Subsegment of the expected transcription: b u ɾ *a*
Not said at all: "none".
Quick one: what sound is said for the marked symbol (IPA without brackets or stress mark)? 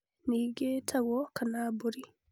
i